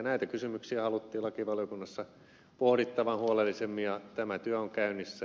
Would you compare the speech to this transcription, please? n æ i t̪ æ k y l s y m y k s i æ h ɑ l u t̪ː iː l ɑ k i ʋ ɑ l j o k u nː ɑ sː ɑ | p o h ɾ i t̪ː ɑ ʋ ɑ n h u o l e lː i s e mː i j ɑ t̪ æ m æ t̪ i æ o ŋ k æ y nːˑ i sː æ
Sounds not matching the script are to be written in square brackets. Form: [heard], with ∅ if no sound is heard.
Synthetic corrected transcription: n æ i t̪ æ k y [∅] s y m y k s i æ h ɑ l u t̪ː iː l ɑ k i ʋ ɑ l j o k u nː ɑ sː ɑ | p o h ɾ i t̪ː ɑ ʋ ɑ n h u o l e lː i s e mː i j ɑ t̪ æ m æ t̪ [y] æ o ŋ k æ y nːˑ i sː æ